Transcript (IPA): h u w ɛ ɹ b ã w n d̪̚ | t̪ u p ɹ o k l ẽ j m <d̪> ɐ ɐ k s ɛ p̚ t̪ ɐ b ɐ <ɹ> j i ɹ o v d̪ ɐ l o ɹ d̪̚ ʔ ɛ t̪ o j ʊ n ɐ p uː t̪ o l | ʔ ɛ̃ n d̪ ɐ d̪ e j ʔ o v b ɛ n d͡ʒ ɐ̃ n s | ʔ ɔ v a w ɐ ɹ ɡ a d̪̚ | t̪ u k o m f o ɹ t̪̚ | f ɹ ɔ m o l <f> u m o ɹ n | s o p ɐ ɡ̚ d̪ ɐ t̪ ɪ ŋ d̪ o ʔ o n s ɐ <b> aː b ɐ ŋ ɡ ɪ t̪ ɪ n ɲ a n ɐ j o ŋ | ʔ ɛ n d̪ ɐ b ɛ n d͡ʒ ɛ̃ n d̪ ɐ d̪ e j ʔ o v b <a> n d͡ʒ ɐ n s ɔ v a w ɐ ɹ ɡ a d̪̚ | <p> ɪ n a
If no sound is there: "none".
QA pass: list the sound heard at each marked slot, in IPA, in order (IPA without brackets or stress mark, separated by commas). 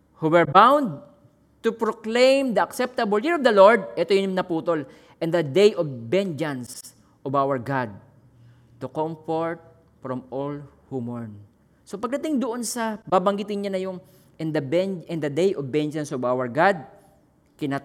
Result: d̪, l, h, b, ɛ, k